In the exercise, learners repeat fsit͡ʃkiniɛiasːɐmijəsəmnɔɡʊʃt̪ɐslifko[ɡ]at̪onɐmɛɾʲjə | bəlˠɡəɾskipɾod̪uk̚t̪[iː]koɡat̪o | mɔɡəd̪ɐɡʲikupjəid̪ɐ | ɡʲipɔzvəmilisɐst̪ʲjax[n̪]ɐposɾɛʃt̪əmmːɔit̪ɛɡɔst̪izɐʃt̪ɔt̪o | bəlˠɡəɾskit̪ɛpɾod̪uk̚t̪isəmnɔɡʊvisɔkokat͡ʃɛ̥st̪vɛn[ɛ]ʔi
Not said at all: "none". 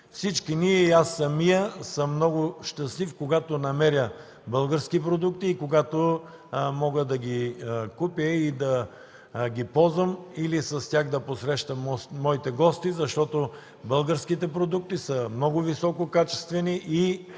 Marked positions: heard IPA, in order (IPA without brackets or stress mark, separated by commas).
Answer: ɡ, iː, d̪, i